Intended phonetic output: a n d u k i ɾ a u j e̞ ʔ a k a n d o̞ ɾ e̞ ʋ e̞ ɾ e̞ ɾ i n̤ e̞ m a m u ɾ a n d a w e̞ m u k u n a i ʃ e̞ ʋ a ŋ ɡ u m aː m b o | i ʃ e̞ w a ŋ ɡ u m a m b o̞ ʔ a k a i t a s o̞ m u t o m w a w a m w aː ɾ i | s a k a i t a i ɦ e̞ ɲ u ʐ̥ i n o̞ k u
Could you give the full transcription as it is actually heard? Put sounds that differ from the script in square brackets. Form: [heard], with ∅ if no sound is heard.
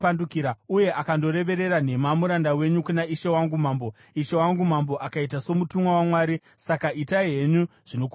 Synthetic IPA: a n d u k i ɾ a u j e̞ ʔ a k a n d o̞ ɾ e̞ ʋ e̞ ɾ e̞ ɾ [a] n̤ e̞ m a m u ɾ a n d a w e̞ [ɲ] u k u n a i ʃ e̞ [w] a ŋ ɡ u m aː m b o | i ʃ e̞ w a ŋ ɡ u m a m b o̞ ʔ a k a i t a s o̞ m u t [u] m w a w a m w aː ɾ i | s a k a i t a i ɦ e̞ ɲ u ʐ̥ i n o̞ k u